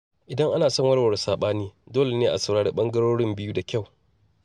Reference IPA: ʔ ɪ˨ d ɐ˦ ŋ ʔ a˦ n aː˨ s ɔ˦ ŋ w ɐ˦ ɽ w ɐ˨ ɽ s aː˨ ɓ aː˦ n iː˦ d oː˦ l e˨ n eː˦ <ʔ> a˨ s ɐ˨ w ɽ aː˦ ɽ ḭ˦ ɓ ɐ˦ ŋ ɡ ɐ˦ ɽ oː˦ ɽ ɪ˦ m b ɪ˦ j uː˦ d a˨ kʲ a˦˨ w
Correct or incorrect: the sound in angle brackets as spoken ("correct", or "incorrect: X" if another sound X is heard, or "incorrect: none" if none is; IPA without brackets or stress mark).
correct